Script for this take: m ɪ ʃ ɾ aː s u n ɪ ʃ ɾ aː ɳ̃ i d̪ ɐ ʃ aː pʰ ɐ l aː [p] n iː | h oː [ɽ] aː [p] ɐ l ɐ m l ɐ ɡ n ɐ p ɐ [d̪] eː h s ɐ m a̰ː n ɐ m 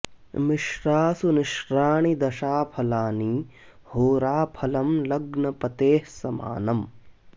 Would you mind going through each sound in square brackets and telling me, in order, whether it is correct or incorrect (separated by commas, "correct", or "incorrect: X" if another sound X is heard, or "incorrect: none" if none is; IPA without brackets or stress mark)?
incorrect: none, incorrect: ɾ, incorrect: pʰ, incorrect: t̪